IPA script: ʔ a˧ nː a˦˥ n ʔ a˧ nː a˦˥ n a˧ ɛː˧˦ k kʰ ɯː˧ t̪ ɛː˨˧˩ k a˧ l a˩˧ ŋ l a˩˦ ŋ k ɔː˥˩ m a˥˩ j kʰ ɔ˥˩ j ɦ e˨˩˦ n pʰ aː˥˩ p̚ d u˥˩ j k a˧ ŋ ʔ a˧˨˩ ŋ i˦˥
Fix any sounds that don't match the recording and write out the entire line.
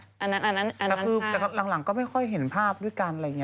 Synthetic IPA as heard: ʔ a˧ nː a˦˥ n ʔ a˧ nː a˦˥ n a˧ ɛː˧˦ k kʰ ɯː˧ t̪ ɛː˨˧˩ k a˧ l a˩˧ ŋ l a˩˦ ŋ k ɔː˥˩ m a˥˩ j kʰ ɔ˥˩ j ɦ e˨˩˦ n pʰ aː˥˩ p̚ d u˥˩ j k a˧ n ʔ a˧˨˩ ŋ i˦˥